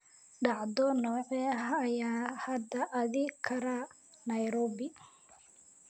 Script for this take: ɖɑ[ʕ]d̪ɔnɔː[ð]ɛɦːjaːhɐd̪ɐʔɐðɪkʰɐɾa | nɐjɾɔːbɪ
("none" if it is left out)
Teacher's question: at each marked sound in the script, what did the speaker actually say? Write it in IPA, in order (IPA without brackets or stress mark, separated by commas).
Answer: ʕ, ʕ